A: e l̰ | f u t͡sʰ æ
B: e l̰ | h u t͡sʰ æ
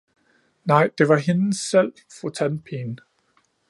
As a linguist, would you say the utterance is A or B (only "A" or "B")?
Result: A